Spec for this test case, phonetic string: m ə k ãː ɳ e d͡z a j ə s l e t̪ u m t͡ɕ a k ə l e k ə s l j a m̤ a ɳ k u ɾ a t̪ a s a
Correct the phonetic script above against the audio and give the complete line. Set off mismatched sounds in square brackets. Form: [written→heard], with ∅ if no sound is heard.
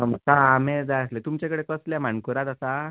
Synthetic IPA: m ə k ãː [ɳ→m] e d͡z a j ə s l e t̪ u m t͡ɕ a k ə [l→ɽ] e k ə s l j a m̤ a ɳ k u ɾ a t̪ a s a